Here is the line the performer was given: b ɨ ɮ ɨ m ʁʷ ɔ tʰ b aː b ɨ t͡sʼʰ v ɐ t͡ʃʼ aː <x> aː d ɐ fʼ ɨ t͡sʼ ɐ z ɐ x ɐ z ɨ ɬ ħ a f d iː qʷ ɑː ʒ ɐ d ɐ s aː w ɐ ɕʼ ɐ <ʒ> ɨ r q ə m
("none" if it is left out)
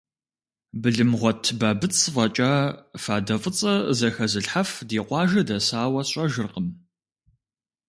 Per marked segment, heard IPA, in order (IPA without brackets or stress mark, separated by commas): f, ʒ